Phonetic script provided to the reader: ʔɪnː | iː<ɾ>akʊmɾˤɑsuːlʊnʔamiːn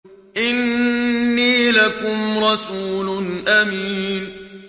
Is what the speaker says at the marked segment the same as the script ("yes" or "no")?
no